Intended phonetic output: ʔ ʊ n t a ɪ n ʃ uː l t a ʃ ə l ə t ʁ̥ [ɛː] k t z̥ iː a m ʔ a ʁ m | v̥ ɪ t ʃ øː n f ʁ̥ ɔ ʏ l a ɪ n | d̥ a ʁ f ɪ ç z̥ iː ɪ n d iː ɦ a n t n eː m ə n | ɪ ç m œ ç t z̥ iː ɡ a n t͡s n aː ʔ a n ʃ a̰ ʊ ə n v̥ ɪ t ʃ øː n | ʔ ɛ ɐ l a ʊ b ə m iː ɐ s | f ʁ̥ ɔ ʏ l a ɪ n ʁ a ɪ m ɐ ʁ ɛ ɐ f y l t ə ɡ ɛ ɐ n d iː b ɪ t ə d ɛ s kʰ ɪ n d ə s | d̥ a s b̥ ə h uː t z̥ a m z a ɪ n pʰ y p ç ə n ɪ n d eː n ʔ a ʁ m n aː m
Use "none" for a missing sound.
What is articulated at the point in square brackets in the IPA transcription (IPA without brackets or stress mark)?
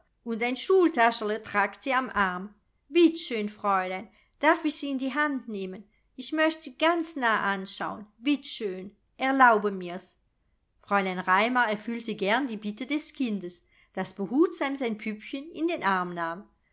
aː